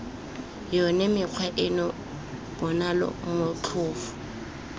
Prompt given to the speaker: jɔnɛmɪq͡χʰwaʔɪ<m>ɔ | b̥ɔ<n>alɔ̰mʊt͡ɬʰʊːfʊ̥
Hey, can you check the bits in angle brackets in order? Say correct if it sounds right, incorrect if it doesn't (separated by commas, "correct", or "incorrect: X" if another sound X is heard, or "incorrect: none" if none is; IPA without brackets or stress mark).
incorrect: n, correct